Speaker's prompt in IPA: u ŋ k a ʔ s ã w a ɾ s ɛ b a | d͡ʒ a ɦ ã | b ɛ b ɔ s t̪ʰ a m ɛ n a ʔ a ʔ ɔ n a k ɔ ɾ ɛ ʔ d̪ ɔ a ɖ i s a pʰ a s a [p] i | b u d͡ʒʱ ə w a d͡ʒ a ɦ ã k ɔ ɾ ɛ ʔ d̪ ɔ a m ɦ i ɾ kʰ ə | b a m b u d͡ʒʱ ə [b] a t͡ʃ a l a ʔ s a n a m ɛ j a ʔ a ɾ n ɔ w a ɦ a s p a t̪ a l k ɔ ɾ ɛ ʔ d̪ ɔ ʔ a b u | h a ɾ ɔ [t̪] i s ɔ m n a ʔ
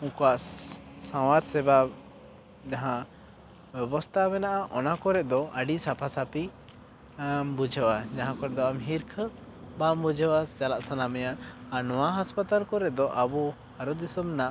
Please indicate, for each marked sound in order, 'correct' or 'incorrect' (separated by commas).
correct, incorrect, incorrect